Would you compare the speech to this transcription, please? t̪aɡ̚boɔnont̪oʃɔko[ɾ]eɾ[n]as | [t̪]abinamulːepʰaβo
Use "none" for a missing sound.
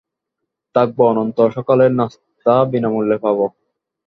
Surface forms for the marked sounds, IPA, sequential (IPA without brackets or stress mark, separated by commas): l, n, t̪